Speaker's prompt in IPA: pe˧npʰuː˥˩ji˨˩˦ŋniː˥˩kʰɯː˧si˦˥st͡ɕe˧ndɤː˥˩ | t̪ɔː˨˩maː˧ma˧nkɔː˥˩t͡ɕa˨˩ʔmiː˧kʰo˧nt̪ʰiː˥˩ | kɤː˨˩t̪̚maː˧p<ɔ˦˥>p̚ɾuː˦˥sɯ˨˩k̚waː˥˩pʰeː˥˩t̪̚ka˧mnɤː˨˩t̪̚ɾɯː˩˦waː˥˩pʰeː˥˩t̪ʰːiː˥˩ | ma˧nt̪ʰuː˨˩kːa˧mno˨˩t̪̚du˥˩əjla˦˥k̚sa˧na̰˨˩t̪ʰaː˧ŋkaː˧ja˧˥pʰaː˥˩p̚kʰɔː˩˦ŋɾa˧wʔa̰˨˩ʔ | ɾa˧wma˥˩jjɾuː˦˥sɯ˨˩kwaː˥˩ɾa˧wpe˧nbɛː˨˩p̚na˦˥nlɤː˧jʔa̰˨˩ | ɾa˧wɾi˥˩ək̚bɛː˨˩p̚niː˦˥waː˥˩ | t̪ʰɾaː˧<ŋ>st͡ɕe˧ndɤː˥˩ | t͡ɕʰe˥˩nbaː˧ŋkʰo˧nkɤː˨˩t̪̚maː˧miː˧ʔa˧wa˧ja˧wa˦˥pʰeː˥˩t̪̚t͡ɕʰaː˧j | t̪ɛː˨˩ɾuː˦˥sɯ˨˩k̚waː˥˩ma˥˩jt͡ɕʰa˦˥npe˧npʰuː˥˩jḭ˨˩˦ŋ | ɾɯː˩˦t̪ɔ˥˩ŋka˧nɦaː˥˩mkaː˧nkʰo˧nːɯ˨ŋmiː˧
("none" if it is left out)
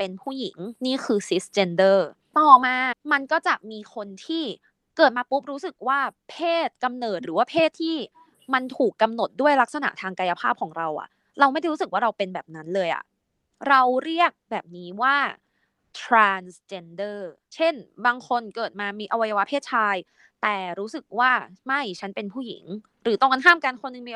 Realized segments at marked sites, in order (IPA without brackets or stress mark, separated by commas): u˦˥, n